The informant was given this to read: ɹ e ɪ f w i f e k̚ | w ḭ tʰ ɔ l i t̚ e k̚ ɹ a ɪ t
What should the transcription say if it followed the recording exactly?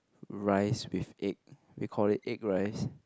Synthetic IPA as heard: ɹ a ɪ s w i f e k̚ | w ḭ kʰ ɔ l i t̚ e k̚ ɹ a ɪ s